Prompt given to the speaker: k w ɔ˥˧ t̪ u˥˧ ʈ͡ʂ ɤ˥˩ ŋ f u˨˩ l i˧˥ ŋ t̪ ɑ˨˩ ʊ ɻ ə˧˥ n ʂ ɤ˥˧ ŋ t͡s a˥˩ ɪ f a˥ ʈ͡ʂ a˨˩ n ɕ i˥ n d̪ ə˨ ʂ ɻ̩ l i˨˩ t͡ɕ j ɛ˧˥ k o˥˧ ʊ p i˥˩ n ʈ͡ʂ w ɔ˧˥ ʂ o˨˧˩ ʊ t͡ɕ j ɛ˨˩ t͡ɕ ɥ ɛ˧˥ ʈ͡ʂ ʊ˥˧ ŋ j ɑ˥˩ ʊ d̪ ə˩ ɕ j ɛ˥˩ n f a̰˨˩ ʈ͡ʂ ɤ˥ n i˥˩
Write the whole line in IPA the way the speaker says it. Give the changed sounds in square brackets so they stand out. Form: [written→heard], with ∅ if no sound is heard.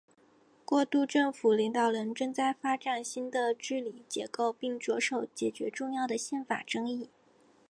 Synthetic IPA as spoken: k w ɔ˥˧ t̪ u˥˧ ʈ͡ʂ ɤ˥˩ ŋ f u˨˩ l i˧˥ ŋ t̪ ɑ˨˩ ʊ ɻ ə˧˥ n [ʂ→ʈ͡ʂ] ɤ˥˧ ŋ t͡s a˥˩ ɪ f a˥ ʈ͡ʂ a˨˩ n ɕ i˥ n d̪ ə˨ [ʂ→ʈ͡ʂ] ɻ̩ l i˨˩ t͡ɕ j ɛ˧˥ k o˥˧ ʊ p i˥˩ [n→ŋ] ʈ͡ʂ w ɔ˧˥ ʂ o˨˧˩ ʊ t͡ɕ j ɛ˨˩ t͡ɕ ɥ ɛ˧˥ ʈ͡ʂ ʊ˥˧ ŋ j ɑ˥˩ ʊ d̪ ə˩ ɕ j ɛ˥˩ n f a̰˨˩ ʈ͡ʂ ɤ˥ [n→ŋ] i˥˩